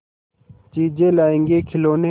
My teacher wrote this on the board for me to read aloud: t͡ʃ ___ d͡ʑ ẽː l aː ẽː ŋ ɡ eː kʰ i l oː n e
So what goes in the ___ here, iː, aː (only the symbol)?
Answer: iː